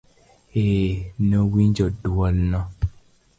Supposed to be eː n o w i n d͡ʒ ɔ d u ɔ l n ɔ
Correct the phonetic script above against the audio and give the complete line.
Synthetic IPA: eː n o w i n d͡ʒ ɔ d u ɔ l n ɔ